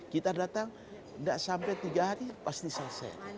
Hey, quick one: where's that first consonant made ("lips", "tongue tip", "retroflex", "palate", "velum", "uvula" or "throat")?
velum